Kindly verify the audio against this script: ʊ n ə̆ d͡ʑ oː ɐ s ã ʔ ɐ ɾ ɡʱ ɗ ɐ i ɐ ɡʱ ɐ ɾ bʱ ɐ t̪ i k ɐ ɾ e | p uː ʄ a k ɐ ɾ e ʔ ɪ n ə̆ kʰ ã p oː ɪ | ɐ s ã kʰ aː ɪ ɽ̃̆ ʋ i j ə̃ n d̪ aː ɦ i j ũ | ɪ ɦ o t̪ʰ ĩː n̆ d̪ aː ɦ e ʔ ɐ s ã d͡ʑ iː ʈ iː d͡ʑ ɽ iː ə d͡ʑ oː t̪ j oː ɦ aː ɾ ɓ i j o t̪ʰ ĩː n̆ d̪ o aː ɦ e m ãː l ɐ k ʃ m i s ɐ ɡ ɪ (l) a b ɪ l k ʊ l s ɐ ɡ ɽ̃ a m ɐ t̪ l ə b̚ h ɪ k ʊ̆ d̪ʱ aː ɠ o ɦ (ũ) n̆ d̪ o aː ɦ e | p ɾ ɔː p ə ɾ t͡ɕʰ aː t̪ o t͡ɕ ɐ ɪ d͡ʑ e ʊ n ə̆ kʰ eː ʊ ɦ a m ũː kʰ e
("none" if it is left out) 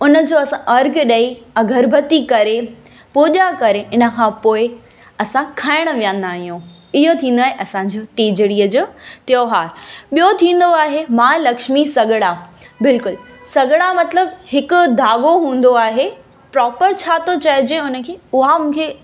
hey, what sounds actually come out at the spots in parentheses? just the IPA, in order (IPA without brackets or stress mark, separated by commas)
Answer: ɽ, ũː